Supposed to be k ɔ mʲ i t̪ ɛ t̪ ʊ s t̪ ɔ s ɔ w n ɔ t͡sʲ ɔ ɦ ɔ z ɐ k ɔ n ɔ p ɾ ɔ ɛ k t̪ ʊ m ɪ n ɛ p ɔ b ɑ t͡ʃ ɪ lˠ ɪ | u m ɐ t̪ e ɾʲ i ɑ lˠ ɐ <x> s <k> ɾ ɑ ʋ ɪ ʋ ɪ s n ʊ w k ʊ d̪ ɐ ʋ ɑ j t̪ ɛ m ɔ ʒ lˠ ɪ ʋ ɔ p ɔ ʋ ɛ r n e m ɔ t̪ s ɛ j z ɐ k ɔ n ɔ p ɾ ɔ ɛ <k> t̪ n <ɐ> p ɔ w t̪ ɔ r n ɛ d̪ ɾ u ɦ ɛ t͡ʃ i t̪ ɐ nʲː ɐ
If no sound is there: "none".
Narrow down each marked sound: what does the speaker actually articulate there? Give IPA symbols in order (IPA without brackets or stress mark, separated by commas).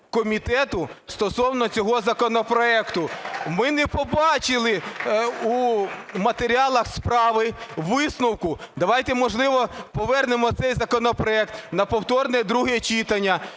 x, p, k, ɐ